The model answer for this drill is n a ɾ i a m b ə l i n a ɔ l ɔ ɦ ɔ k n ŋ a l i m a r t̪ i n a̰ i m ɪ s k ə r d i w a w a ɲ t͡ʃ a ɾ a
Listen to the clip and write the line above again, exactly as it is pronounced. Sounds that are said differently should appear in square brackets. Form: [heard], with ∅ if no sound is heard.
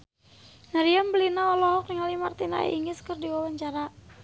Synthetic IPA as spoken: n a ɾ i a m b ə l i n a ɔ l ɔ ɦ ɔ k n ŋ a l i m a r t̪ i n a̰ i [ŋ] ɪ s k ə r d i w a w a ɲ t͡ʃ a ɾ a

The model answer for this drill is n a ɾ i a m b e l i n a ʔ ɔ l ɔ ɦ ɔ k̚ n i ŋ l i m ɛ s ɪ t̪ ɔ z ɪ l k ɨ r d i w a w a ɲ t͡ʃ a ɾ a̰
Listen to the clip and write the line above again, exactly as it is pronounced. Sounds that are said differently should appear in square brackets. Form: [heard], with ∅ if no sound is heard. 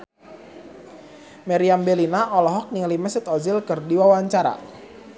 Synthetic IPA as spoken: [m] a ɾ i a m b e l i n a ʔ ɔ l ɔ ɦ ɔ k̚ n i ŋ l i m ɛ s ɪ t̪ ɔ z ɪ l k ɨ r d i w a w a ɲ t͡ʃ a ɾ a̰

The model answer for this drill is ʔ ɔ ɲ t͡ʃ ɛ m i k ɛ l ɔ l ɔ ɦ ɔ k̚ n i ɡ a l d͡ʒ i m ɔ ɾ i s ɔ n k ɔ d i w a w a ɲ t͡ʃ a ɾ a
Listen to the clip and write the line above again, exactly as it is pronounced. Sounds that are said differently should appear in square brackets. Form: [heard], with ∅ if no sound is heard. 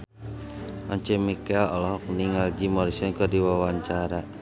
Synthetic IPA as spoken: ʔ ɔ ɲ t͡ʃ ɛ m i k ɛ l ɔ l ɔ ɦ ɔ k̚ n i [ŋ] a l d͡ʒ i m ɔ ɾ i s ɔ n k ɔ d i w a w a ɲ t͡ʃ a ɾ a

